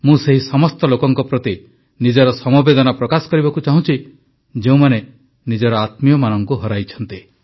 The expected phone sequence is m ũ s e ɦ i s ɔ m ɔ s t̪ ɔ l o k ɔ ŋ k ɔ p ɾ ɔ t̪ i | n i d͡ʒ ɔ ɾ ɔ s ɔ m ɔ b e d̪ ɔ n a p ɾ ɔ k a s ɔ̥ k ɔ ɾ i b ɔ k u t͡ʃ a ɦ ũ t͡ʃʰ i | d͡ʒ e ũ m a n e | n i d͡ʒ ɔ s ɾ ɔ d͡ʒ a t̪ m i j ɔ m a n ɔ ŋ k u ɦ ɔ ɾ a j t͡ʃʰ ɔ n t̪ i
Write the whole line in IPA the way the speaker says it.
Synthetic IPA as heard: m ũ s e ɦ i s ɔ m ɔ s t̪ ɔ l o k ɔ ŋ k ɔ p ɾ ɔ t̪ i | n i d͡ʒ ɔ ɾ ɔ s ɔ m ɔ b e d̪ ɔ n a p ɾ ɔ k a s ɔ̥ k ɔ ɾ i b ɔ k u t͡ʃ a ɦ ũ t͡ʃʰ i | d͡ʒ e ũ m a n e | n i d͡ʒ ɔ ɾ ɔ a t̪ m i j ɔ m a n ɔ ŋ k u ɦ ɔ ɾ a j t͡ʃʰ ɔ n t̪ i